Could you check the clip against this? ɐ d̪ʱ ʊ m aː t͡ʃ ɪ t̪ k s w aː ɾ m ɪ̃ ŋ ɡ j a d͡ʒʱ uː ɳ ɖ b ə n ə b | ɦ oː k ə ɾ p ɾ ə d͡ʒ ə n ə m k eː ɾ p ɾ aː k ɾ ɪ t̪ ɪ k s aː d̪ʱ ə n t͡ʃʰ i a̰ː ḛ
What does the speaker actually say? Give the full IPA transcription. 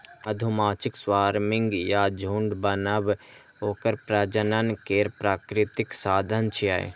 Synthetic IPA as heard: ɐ d̪ʱ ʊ m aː t͡ʃ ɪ k s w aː ɾ m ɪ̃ ŋ ɡ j a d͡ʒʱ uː ɳ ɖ b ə n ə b | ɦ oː k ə ɾ p ɾ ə d͡ʒ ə n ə n k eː ɾ p ɾ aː k ɾ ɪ t̪ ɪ k s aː d̪ʱ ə n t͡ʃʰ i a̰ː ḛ